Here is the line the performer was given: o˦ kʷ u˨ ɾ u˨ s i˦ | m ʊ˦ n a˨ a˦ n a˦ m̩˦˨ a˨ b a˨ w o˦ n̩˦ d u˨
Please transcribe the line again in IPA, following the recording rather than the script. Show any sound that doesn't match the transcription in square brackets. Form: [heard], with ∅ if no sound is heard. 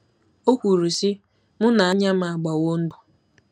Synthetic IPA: o˦ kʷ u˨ ɾ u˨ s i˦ | m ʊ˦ n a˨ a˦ [ɲ] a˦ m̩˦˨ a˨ [ɡ͡b] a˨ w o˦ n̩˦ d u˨